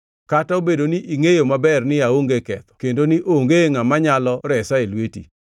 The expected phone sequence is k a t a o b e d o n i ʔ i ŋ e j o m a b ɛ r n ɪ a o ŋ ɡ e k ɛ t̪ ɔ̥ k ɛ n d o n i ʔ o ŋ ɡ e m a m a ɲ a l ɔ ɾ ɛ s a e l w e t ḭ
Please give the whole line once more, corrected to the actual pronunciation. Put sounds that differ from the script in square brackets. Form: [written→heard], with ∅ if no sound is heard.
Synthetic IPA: k a t a o b e d o n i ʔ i ŋ e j o m a b ɛ r n ɪ a o ŋ ɡ e k ɛ t̪ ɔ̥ k [ɛ→e] n d o n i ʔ o ŋ ɡ e [m→ŋ] a m a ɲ a l ɔ ɾ ɛ s a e l w e t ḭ